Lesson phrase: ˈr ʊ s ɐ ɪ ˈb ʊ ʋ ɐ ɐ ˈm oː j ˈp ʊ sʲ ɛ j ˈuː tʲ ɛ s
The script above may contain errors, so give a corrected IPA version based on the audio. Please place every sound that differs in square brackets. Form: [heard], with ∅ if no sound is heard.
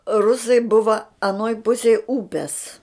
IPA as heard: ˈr ʊ s ɐ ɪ ˈb ʊ ʋ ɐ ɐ [ˈn] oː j ˈp ʊ sʲ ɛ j ˈuː [pʲ] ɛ s